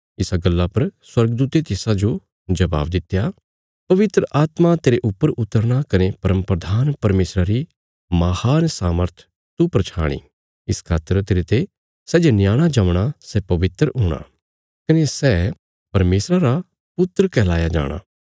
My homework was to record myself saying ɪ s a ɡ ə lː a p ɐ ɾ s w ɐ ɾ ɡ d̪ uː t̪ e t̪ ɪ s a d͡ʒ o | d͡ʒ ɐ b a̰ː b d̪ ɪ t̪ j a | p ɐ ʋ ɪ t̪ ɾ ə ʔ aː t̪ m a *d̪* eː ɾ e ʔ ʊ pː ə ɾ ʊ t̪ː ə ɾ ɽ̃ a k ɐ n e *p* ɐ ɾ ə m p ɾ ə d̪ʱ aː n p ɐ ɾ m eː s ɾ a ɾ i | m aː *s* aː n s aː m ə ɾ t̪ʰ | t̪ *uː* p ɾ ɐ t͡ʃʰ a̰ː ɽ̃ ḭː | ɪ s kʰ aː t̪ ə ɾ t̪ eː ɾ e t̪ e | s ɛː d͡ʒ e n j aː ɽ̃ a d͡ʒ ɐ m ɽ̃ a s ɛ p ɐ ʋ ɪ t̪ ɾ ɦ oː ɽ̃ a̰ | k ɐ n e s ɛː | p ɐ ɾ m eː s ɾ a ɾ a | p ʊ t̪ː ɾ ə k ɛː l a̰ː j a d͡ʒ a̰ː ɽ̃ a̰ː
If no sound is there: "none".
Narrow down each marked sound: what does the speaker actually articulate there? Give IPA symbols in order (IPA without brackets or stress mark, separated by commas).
t̪, p, h, u